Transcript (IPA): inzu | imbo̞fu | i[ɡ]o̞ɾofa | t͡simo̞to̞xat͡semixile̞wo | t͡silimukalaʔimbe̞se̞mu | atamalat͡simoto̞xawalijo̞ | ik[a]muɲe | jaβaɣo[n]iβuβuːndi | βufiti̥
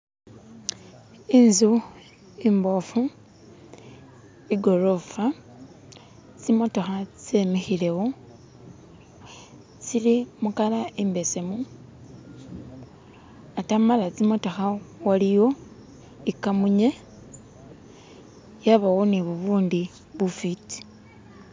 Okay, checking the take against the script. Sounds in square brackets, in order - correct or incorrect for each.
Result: correct, correct, correct

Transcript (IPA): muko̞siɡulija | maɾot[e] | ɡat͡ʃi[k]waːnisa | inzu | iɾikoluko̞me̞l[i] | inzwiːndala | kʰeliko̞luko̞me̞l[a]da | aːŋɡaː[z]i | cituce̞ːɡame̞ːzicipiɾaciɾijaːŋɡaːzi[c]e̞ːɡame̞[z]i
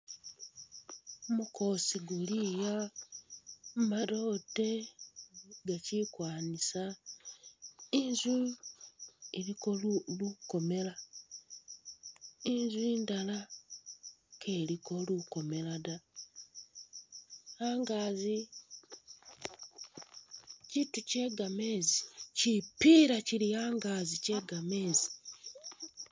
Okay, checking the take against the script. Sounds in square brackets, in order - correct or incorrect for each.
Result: correct, correct, incorrect, correct, correct, correct, correct

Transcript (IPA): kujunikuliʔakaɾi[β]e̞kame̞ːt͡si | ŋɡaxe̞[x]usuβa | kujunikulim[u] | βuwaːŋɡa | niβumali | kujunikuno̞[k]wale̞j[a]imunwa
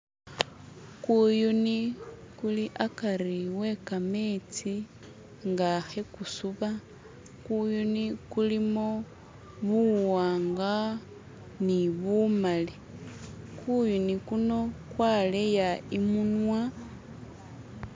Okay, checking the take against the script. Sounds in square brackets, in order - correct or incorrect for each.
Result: incorrect, incorrect, incorrect, correct, correct

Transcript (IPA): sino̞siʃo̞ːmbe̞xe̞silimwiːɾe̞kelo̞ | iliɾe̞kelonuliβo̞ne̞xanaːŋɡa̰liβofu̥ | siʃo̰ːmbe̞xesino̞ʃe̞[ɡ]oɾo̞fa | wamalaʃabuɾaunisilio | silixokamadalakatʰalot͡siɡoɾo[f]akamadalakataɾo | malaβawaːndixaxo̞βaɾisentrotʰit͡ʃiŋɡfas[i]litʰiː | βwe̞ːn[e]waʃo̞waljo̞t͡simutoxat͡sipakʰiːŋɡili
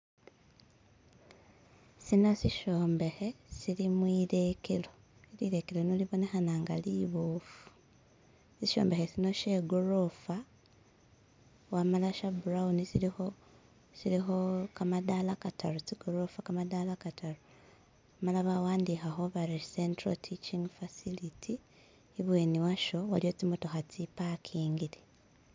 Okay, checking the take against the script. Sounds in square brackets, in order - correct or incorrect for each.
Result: correct, correct, correct, incorrect

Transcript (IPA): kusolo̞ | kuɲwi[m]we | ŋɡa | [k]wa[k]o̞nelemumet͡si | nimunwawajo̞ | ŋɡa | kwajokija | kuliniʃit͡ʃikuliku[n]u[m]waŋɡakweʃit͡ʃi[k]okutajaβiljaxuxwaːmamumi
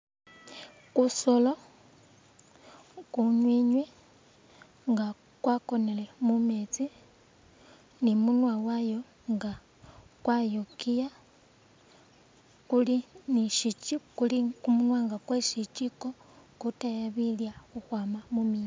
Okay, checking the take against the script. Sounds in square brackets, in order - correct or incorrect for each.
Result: incorrect, correct, correct, incorrect, incorrect, correct

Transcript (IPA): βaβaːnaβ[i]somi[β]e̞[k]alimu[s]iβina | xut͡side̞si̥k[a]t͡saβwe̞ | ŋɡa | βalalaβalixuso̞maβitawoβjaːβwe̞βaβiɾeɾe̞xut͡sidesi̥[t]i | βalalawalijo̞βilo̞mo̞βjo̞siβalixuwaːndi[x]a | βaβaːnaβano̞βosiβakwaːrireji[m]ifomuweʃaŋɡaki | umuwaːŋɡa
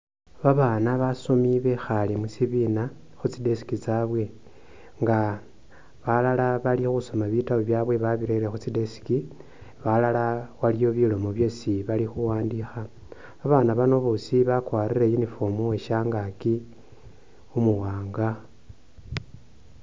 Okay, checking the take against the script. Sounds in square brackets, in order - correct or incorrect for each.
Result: incorrect, correct, incorrect, correct, incorrect, incorrect, correct, incorrect

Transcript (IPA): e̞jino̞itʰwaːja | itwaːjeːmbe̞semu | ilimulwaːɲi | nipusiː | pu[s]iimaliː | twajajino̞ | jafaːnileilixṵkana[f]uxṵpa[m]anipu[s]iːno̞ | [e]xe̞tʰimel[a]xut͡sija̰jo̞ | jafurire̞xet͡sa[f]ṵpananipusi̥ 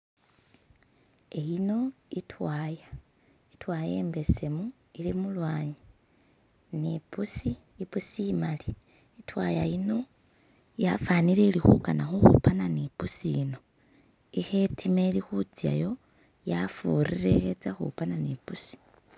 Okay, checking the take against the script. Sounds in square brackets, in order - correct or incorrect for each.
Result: correct, incorrect, incorrect, correct, incorrect, incorrect, incorrect

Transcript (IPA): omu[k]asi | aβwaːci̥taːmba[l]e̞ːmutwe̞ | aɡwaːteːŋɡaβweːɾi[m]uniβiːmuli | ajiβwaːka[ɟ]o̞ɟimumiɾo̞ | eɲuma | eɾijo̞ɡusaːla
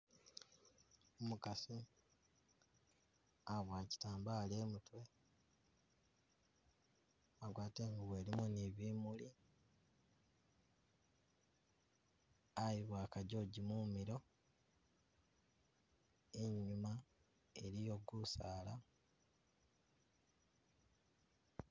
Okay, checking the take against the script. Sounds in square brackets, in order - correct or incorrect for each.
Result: correct, correct, correct, correct

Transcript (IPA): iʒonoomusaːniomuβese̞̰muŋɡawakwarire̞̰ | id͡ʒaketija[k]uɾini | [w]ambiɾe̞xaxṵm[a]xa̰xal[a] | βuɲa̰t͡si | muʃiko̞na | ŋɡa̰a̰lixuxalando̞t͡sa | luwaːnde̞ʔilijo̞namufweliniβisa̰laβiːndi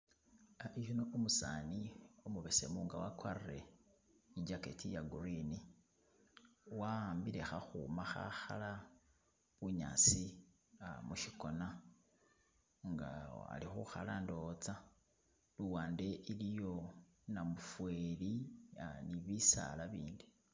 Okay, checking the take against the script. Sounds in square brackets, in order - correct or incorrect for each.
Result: incorrect, correct, correct, correct

